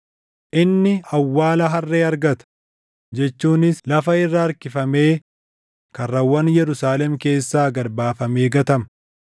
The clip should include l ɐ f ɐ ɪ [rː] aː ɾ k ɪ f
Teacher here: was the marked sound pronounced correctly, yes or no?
yes